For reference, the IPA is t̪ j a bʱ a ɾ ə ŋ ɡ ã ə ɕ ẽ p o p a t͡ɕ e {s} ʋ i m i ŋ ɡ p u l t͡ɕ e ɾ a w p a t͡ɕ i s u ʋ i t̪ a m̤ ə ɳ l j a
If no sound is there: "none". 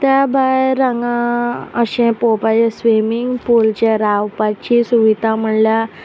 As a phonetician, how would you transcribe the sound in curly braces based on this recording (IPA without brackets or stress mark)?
s